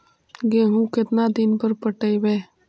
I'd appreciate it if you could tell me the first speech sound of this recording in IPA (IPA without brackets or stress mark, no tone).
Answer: ɡ